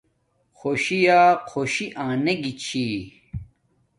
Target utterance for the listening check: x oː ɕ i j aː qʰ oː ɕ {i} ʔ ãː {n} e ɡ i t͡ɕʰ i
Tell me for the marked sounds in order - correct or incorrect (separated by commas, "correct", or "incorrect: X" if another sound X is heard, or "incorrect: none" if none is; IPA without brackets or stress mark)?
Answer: correct, correct